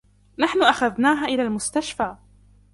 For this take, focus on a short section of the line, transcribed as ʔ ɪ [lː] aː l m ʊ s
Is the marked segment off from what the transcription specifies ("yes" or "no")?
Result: yes